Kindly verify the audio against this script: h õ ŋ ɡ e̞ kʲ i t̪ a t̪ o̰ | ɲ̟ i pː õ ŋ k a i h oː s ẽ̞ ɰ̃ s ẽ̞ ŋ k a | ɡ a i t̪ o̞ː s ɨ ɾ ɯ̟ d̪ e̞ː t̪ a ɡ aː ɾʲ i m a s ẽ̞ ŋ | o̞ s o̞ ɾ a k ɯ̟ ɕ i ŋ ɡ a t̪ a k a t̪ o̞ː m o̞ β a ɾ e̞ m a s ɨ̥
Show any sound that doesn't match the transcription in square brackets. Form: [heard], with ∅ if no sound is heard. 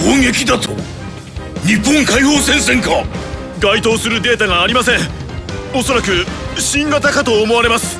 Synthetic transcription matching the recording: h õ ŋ ɡ e̞ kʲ i [d̪] a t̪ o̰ | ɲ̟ i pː õ ŋ k a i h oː s ẽ̞ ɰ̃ s ẽ̞ ŋ k a | ɡ a i t̪ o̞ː s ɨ ɾ ɯ̟ d̪ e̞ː t̪ a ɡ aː ɾʲ i m a s ẽ̞ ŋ | o̞ s o̞ ɾ a k ɯ̟ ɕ [ĩ] ŋ ɡ a t̪ a k a t̪ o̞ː m o̞ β a ɾ e̞ m a s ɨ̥

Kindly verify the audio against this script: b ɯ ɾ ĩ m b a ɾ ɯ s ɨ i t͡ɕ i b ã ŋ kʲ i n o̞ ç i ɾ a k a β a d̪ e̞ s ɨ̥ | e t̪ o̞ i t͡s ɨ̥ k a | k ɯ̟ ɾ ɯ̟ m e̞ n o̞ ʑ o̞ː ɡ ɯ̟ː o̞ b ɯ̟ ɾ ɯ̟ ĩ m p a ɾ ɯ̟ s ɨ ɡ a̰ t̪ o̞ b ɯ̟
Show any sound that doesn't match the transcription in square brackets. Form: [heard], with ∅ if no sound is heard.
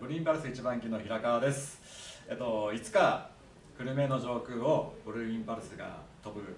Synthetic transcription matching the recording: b ɯ ɾ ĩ m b a ɾ ɯ s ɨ i t͡ɕ i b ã ŋ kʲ i n o̞ ç i ɾ a k a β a d̪ e̞ s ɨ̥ | e t̪ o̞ i t͡s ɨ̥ k a | k ɯ̟ ɾ ɯ̟ m e̞ n o̞ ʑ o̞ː [k] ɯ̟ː o̞ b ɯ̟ ɾ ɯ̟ ĩ m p a ɾ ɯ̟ s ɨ ɡ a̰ t̪ o̞ b ɯ̟

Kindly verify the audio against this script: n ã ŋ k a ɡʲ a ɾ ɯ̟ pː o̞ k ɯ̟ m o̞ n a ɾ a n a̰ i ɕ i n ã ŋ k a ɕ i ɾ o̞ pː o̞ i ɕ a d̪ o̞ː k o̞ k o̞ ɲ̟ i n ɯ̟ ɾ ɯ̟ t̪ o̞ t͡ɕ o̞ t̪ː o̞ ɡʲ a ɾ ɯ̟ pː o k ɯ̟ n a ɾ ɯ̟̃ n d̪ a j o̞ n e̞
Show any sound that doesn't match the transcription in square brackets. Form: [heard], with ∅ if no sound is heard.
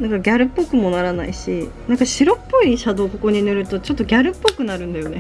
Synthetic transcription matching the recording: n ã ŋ k a ɡʲ a ɾ ɯ̟ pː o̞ k ɯ̟ m o̞ n a ɾ a n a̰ i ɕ i n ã ŋ k a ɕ i ɾ o̞ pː o̞ i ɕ a d̪ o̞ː k o̞ k o̞ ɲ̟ i n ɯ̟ ɾ ɯ̟ t̪ o̞ t͡ɕ o̞ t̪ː o̞ ɡʲ a ɾ ɯ̟ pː o k ɯ̟ n a ɾ ɯ̟̃ n d̪ a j o̞ n e̞

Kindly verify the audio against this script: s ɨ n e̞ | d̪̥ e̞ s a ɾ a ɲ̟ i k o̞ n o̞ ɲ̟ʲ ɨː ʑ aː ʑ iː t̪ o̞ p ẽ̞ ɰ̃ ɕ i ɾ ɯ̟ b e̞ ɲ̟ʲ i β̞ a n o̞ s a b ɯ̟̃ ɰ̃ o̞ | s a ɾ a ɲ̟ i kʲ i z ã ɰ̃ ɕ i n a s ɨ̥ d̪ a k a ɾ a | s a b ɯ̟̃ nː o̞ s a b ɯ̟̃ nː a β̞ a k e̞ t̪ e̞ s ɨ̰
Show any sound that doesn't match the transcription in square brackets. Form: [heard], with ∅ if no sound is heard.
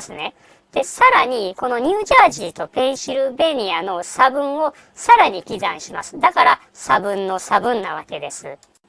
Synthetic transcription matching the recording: s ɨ n e̞ | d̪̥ e̞ s a ɾ a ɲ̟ i k o̞ n o̞ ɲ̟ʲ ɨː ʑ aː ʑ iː t̪ o̞ p ẽ̞ ɰ̃ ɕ i ɾ ɯ̟ b e̞ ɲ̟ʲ i [∅] a n o̞ s a b ɯ̟̃ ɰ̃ o̞ | s a ɾ a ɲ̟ i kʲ i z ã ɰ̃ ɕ i [m] a s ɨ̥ d̪ a k a ɾ a | s a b ɯ̟̃ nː o̞ s a b ɯ̟̃ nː a β̞ a k e̞ [d̪] e̞ s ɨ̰

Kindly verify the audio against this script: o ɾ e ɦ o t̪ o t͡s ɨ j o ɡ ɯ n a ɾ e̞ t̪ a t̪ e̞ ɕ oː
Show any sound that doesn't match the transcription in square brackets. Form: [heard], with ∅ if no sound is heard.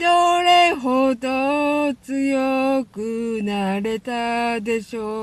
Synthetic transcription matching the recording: o ɾ e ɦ o [d̪] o t͡s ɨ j o [k] ɯ n a ɾ e̞ t̪ a [d̪] e̞ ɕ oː

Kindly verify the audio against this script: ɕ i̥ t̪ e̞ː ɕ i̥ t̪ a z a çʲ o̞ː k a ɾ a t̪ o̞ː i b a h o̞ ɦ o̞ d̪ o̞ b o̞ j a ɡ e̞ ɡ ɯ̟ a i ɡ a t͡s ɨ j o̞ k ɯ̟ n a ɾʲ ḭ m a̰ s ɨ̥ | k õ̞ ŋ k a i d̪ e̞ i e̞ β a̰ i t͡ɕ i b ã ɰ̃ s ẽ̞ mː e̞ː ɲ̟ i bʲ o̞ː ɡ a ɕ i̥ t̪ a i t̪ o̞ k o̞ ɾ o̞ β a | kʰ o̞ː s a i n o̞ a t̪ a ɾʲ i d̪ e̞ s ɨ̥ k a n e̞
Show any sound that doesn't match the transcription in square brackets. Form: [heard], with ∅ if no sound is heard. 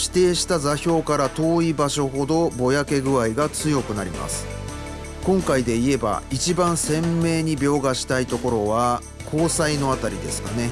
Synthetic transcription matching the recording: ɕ i̥ t̪ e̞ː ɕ i̥ t̪ a z a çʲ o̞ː k a ɾ a t̪ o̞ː i b a [ɕ] o̞ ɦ o̞ d̪ o̞ b o̞ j a [k] e̞ ɡ ɯ̟ a i ɡ a t͡s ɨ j o̞ k ɯ̟ n a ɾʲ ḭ m a̰ s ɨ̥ | k õ̞ ŋ k a i d̪ e̞ i e̞ [b] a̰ i t͡ɕ i b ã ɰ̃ s ẽ̞ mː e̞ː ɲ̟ i bʲ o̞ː ɡ a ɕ i̥ t̪ a i t̪ o̞ k o̞ ɾ o̞ β a | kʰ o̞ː s a i n o̞ a t̪ a ɾʲ i d̪ e̞ s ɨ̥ k a n e̞

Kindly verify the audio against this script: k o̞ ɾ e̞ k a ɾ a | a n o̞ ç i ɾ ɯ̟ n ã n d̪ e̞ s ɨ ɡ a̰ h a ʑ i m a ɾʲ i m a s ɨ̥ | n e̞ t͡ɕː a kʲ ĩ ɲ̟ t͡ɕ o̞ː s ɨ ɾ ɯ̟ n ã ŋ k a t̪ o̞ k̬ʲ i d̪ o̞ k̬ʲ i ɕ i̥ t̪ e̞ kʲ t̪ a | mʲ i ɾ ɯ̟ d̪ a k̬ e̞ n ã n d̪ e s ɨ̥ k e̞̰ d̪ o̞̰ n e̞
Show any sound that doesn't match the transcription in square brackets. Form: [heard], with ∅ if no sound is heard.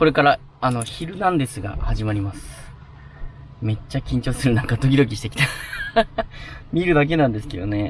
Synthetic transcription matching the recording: k o̞ ɾ e̞ k a ɾ a | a n o̞ ç i ɾ ɯ̟ n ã n d̪ e̞ s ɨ ɡ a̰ h a ʑ i m a ɾʲ i m a s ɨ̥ | [m] e̞ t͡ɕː a kʲ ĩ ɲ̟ t͡ɕ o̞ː s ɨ ɾ ɯ̟ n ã ŋ k a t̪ o̞ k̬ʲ i d̪ o̞ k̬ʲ i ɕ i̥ t̪ e̞ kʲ t̪ a | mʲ i ɾ ɯ̟ d̪ a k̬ e̞ n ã n d̪ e s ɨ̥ k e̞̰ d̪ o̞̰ n e̞

